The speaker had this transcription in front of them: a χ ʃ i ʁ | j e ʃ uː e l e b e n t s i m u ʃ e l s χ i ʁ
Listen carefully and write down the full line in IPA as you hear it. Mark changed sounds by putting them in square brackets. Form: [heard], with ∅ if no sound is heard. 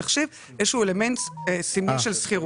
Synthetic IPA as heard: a χ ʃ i [v] | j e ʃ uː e l e [m] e n t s i m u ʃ e l s χ i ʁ